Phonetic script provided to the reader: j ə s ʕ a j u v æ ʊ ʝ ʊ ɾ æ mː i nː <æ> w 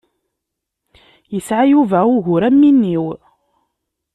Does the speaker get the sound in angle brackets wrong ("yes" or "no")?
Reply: yes